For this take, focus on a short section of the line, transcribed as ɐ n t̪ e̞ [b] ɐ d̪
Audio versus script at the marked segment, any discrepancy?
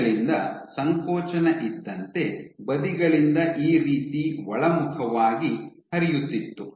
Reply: no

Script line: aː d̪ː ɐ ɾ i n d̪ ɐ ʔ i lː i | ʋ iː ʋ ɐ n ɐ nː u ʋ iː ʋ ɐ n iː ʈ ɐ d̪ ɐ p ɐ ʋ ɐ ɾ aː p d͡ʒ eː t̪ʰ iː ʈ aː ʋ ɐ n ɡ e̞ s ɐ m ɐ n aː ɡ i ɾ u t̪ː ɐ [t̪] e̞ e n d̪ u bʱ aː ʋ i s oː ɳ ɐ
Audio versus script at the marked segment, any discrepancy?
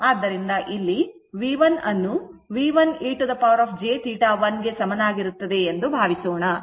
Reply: yes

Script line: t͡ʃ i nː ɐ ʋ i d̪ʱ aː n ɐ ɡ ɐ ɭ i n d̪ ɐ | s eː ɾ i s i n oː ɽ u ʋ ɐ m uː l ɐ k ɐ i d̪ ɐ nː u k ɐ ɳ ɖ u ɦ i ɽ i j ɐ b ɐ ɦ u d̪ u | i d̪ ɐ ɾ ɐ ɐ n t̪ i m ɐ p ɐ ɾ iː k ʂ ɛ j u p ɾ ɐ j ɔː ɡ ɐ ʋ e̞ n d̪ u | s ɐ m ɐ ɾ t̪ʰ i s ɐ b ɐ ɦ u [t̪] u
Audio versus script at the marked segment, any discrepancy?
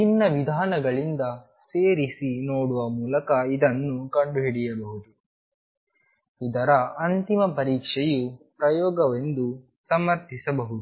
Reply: yes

